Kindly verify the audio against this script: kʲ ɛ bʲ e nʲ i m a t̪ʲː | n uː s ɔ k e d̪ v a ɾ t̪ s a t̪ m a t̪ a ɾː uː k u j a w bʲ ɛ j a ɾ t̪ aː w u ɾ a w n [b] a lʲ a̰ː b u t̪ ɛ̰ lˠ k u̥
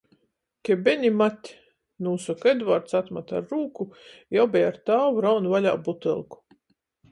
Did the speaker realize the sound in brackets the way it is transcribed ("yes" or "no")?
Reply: no